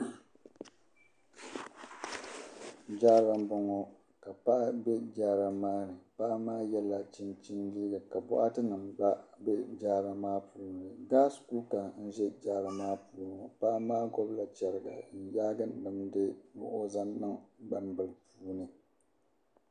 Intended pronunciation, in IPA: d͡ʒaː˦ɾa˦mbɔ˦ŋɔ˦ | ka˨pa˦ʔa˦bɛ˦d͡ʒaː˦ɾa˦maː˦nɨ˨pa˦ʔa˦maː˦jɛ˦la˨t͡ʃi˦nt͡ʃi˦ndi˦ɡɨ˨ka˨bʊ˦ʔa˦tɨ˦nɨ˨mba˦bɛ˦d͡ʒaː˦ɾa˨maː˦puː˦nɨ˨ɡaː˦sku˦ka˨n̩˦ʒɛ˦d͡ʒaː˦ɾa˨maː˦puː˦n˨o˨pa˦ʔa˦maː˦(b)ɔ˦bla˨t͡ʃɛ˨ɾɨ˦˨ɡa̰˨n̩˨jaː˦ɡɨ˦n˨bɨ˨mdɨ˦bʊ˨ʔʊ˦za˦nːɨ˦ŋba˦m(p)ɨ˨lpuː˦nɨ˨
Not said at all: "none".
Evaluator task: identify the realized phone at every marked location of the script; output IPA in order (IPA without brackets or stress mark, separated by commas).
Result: ɡ, b